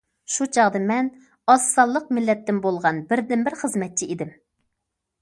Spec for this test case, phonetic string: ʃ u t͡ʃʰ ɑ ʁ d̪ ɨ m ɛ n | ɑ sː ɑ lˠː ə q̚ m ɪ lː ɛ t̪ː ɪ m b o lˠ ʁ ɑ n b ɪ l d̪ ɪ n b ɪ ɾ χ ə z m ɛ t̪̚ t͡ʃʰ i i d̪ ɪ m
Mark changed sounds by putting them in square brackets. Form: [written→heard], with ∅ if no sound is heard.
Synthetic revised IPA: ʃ u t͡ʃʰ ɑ ʁ d̪ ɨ m ɛ n | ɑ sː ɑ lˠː ə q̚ m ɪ lː ɛ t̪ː ɪ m b o lˠ ʁ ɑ n b ɪ [l→ɾ] d̪ ɪ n b ɪ ɾ χ ə z m ɛ t̪̚ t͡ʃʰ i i d̪ ɪ m